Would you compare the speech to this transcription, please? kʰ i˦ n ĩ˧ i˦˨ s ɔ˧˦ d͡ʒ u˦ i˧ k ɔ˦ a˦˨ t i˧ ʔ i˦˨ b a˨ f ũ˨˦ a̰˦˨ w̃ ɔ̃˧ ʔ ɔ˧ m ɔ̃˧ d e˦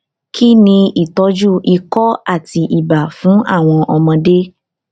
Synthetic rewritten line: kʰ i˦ n ĩ˧ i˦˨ t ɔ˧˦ d͡ʒ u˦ i˧ k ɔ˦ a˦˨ t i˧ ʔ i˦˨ b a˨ f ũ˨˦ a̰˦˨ w̃ ɔ̃˧ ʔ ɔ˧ m ɔ̃˧ d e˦

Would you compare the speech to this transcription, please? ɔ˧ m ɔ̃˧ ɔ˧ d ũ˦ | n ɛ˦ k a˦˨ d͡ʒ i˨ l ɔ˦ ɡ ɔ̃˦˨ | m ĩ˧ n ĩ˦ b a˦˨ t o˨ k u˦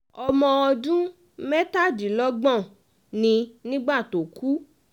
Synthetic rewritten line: ɔ˧ m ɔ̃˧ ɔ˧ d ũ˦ | m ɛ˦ t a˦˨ d͡ʒ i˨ l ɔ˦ ɡ͡b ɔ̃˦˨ | n ĩ˧ n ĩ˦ ɡ͡b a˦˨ t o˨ k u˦

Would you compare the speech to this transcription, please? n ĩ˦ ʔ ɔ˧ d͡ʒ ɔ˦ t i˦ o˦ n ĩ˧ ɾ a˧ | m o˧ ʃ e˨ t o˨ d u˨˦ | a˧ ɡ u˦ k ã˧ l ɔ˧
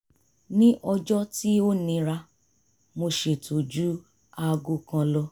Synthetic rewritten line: n ĩ˦ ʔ ɔ˧ d͡ʒ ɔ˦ t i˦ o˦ n ĩ˧ ɾ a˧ | m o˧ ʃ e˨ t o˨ d͡ʒ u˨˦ | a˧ ɡ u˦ k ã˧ l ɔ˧

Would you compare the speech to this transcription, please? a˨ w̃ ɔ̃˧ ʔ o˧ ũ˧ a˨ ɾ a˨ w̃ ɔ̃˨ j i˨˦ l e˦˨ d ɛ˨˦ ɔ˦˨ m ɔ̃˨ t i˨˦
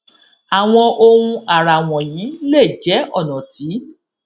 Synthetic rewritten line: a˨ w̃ ɔ̃˧ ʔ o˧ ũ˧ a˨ ɾ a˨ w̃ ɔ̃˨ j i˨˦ l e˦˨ d͡ʒ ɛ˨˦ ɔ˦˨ n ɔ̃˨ t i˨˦

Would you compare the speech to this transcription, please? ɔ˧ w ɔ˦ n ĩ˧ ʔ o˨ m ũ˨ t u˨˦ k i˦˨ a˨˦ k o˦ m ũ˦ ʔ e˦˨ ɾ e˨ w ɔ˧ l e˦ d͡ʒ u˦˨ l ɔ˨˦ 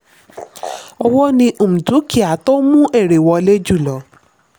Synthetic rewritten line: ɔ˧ w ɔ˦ n ĩ˧ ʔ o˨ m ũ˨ t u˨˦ k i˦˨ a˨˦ t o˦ m ũ˦ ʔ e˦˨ ɾ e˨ w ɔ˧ l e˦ d͡ʒ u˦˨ l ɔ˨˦

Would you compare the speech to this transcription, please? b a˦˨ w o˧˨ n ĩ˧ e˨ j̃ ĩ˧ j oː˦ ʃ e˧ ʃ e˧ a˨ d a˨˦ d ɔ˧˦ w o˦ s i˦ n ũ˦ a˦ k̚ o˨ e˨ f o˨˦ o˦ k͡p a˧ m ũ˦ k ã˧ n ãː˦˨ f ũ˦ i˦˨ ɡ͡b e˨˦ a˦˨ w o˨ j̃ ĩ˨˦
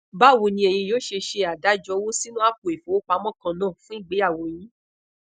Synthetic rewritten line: b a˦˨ w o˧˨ n ĩ˧ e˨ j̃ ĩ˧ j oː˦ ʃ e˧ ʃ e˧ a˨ d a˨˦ d͡ʒ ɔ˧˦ w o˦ s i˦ n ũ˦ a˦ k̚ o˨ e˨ f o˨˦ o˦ k͡p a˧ m ɔ̃˦ k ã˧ n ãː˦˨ f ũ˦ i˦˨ ɡ͡b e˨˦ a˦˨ w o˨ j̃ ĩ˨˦

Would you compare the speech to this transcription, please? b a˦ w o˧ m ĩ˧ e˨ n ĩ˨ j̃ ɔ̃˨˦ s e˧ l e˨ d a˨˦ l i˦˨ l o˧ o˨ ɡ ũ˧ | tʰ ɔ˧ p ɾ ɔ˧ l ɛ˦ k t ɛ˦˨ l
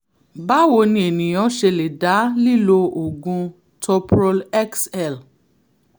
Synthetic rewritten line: b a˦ w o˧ n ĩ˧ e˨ n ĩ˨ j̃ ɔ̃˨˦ ʃ e˧ l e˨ d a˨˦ l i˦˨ l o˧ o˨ ɡ ũ˧ | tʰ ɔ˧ p ɾ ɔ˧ l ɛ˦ k s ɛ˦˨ l

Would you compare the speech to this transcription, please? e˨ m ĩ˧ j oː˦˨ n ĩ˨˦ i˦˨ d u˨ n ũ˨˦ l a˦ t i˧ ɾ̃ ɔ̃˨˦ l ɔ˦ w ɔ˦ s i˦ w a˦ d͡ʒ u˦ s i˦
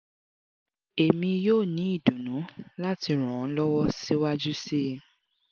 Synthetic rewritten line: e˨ m ĩ˧ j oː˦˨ n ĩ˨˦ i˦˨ d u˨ n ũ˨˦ l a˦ t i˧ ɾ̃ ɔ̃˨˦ l ɔ˦ w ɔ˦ s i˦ w a˦ d͡ʒ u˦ s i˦

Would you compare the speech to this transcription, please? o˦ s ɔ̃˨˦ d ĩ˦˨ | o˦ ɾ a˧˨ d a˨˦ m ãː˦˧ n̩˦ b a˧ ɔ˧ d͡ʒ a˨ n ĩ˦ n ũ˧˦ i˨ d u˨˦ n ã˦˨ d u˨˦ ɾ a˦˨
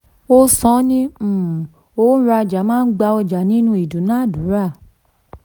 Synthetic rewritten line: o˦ s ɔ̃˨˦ n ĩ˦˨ | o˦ ɾ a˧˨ d͡ʒ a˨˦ m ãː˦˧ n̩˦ ɡ͡b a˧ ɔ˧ d͡ʒ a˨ n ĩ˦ n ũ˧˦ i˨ d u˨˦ n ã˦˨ d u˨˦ ɾ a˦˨

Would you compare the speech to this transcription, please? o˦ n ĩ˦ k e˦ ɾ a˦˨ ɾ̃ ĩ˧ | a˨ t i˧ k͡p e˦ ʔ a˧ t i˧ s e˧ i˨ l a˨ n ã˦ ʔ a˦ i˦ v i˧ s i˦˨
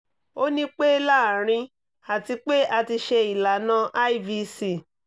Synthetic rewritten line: o˦ n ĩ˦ k͡p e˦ l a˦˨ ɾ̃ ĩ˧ | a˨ t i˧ k͡p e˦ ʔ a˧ t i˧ ʃ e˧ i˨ l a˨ n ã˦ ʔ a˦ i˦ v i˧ s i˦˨

